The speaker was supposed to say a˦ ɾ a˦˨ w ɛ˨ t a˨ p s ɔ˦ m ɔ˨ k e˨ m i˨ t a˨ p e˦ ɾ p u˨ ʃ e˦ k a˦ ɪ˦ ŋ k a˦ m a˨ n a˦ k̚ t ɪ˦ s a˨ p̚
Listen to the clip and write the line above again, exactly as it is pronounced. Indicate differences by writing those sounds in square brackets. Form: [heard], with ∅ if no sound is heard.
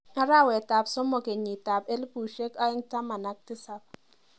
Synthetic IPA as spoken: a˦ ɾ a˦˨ w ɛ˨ t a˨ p s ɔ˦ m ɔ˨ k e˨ [ɲ] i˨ t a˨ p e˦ [l] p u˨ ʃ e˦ k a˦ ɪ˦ ŋ [t] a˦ m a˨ n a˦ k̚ t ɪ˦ s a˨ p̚